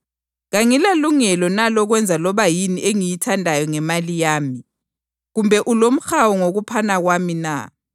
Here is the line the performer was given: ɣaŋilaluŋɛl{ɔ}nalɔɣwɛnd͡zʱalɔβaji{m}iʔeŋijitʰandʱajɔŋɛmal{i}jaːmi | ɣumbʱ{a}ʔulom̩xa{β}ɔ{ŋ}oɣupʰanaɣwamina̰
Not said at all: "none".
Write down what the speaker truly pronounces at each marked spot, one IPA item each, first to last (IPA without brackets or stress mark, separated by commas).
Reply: ɔ, n, i, ɛ, w, ŋ